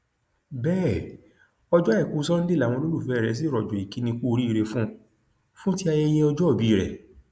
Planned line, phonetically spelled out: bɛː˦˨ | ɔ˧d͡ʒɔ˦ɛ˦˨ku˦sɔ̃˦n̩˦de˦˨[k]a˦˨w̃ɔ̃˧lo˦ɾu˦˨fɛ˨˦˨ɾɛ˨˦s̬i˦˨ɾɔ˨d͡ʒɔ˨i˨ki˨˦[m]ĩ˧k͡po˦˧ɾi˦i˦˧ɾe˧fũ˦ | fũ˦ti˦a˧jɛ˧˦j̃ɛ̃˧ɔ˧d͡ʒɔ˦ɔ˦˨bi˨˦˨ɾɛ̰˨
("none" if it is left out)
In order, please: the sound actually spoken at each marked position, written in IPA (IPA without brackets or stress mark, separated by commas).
none, n